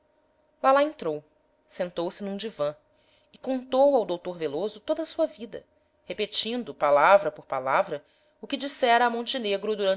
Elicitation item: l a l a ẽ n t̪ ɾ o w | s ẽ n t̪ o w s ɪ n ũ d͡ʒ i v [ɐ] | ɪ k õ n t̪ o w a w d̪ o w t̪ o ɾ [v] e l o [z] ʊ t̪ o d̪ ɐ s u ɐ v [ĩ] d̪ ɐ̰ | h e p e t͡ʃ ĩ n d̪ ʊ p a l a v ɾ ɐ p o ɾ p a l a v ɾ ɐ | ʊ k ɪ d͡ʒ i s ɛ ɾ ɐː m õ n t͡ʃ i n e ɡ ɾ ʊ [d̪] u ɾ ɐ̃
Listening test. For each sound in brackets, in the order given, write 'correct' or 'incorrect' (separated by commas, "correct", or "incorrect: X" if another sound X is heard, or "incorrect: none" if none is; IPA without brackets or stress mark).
incorrect: ɐ̃, correct, correct, incorrect: i, correct